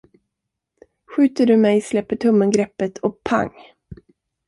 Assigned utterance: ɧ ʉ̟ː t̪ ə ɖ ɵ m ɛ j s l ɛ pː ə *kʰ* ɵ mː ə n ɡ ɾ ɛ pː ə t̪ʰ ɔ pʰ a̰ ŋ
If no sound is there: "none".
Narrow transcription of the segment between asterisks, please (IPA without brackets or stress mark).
ʈʰ